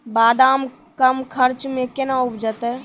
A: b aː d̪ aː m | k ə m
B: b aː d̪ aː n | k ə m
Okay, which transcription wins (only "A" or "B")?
A